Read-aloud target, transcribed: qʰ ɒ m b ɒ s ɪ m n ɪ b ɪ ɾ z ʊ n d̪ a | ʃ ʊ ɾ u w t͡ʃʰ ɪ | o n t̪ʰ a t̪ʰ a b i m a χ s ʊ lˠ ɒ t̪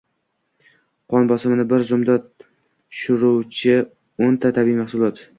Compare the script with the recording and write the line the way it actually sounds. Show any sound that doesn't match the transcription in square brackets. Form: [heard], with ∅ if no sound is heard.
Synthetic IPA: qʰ ɒ [n] b ɒ s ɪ m n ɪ b ɪ ɾ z ʊ [m] d̪ a | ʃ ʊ ɾ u w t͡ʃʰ ɪ | o n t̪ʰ a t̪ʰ a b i m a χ s ʊ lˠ ɒ t̪